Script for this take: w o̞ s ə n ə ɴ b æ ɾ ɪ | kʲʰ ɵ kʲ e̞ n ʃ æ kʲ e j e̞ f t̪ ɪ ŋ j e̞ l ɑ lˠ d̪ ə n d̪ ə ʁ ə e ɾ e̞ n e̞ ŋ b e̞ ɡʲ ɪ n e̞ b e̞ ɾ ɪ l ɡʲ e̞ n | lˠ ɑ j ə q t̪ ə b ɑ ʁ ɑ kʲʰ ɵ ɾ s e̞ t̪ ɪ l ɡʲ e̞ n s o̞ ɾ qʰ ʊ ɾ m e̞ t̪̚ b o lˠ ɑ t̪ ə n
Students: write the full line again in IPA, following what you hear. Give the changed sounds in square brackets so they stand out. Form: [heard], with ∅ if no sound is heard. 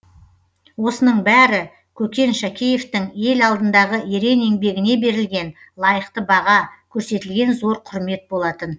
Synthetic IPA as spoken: w o̞ s ə n ə ɴ b æ ɾ ɪ | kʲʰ ɵ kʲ e̞ n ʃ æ kʲ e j e̞ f t̪ ɪ ŋ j e̞ l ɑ lˠ d̪ ə n d̪ [ɑ] ʁ ə e ɾ e̞ n e̞ ŋ b e̞ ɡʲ ɪ n e̞ b e̞ ɾ ɪ l ɡʲ e̞ n | lˠ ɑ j ə q t̪ ə b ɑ ʁ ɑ kʲʰ ɵ ɾ s e̞ t̪ ɪ l ɡʲ e̞ n [z] o̞ ɾ qʰ ʊ ɾ m e̞ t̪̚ b o lˠ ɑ t̪ ə n